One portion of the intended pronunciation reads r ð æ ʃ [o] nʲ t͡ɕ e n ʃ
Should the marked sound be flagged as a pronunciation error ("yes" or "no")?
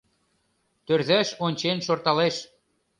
no